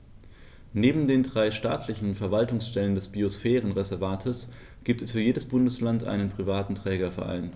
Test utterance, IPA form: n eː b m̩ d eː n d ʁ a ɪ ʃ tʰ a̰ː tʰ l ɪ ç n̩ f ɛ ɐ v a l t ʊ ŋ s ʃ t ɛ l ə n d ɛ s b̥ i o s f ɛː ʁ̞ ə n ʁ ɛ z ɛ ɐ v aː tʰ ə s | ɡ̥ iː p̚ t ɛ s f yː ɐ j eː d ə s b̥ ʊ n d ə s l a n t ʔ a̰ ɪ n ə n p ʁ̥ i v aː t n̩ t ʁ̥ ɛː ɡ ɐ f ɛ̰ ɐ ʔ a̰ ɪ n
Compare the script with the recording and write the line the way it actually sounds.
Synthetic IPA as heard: n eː b m̩ d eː n d ʁ a ɪ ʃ t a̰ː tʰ l ɪ ç n̩ f ɛ ɐ v a l t ʊ ŋ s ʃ t ɛ l ə n d ɛ s b̥ i o s f ɛː ʁ̞ ə n ʁ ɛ z ɛ ɐ v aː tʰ ə s | ɡ̥ iː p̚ t ɛ s f yː ɐ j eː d ə s b̥ ʊ n d ə s l a n t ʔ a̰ ɪ n ə n p ʁ̥ i v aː t n̩ t ʁ̥ ɛː ɡ ɐ f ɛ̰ ɐ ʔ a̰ ɪ n